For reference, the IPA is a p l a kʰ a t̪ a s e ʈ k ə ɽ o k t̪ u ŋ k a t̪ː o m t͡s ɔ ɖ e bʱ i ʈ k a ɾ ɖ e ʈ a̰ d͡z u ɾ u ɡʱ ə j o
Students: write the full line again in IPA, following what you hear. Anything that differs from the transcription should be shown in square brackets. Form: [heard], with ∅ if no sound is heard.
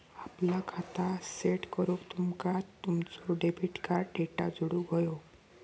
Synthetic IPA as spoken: a p l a kʰ a t̪ a s e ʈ k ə [ɾ] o k t̪ u [m] k a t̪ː [u] m t͡s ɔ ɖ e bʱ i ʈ k a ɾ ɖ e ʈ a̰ d͡z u [ɽ] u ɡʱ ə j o